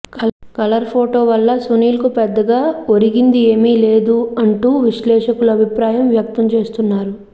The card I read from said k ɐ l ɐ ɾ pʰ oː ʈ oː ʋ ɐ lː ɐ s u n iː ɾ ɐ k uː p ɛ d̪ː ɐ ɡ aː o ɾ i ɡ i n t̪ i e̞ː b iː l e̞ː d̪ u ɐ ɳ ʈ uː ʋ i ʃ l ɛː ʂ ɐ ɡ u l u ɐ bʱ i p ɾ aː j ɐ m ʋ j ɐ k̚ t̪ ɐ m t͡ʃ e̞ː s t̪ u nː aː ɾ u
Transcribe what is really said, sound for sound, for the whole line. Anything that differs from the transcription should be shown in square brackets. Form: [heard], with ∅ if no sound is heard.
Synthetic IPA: k ɐ l ɐ ɾ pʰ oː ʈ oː ʋ ɐ lː ɐ s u n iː [l] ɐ k [u] p ɛ d̪ː ɐ ɡ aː o ɾ i ɡ i n [d̪] i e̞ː [m] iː l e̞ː d̪ u ɐ ɳ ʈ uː ʋ i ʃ l ɛː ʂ ɐ [k] u l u ɐ bʱ i p ɾ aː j ɐ m ʋ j ɐ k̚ t̪ ɐ m t͡ʃ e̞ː s t̪ u nː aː ɾ u